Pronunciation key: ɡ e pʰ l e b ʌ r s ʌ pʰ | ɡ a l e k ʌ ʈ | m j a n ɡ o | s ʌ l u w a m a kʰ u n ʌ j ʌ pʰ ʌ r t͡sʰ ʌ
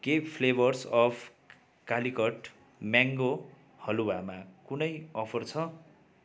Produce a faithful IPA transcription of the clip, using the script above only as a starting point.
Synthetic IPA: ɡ e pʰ l e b ʌ r s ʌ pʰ | k a l i k ʌ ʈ | m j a ŋ ɡ o | h ʌ l u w a m a k u n ʌ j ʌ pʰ ʌ r t͡sʰ ʌ